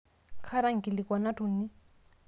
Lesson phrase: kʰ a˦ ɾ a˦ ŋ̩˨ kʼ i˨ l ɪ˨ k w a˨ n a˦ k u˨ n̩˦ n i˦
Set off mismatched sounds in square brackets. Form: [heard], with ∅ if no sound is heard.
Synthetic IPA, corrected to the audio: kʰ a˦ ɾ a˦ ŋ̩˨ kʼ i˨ l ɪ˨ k w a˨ n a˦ [t] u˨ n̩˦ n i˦